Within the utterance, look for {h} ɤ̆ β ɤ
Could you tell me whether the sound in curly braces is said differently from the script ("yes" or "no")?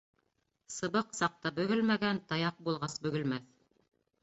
yes